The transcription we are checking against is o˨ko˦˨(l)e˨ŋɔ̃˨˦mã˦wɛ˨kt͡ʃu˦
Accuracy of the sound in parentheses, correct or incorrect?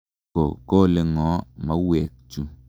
correct